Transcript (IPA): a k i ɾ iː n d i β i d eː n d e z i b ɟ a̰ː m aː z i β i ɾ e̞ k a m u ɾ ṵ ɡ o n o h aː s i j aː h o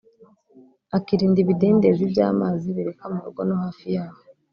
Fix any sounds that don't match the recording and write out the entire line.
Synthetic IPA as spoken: a k i ɾ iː n d i β i d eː n d e z i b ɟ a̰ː m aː z i β i ɾ e̞ k a m u ɾ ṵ ɡ o n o h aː f i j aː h o